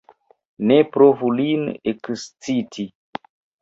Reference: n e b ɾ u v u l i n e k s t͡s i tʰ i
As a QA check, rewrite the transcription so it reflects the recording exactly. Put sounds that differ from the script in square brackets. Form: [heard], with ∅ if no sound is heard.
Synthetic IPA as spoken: n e [p] ɾ [o] v u l i n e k s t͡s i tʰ i